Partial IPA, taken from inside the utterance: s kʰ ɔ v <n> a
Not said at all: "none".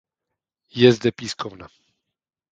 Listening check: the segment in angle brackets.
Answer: n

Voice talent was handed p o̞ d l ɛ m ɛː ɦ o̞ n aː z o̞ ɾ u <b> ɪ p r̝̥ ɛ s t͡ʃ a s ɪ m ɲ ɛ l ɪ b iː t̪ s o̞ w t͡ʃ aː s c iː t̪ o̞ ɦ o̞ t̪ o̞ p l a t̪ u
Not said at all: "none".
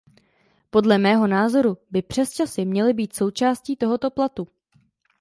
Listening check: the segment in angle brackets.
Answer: b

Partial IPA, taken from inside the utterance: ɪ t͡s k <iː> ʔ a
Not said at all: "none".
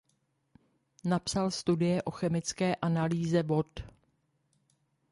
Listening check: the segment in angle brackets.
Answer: ɛː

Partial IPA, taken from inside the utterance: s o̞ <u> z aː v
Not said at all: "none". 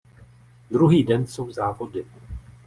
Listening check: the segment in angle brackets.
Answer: w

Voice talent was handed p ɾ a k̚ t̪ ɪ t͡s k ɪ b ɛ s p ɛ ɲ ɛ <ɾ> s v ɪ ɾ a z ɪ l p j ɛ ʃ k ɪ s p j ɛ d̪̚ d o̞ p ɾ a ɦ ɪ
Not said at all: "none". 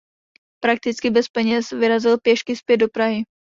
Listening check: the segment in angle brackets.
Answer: none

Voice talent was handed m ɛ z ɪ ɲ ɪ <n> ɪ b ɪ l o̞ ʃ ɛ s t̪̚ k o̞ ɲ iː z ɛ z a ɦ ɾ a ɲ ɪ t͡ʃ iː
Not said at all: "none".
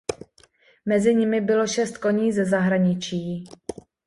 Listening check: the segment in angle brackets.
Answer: m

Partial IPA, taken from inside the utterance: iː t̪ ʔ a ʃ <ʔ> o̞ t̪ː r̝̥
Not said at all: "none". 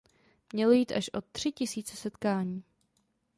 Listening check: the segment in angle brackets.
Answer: ʔ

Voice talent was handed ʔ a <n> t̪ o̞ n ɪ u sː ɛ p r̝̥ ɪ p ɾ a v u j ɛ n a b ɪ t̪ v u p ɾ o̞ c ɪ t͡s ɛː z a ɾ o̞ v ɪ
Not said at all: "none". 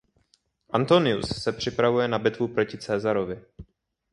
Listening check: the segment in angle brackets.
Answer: n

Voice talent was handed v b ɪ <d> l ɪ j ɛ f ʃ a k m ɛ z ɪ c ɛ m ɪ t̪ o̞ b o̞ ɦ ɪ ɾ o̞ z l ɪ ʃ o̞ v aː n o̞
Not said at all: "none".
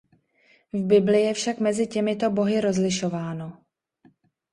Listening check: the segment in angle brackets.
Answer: b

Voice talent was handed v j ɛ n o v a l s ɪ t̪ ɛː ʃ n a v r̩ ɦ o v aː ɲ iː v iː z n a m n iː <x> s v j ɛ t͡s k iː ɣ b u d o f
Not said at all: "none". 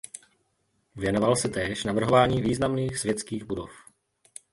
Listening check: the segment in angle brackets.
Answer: x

